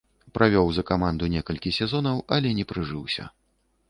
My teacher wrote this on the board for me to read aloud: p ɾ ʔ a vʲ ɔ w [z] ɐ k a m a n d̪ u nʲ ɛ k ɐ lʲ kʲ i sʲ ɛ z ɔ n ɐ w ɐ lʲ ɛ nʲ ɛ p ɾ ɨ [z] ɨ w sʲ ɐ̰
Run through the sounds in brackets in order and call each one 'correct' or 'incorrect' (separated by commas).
correct, incorrect